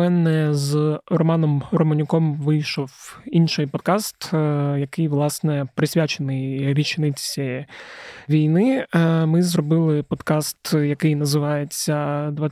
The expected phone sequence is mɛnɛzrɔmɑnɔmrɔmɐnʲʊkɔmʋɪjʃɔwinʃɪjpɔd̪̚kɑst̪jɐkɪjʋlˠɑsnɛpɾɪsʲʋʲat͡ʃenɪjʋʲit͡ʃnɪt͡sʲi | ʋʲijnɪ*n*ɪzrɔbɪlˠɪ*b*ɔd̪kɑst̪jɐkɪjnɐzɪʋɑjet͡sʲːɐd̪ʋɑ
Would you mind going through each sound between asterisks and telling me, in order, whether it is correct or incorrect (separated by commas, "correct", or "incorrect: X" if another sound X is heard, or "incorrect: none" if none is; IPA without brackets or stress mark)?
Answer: incorrect: m, incorrect: p